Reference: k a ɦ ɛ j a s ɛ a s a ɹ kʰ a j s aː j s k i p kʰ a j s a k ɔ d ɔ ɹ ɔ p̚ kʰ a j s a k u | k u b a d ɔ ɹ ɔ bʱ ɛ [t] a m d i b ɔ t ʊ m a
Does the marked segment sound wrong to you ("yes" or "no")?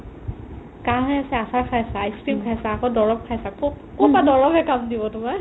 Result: yes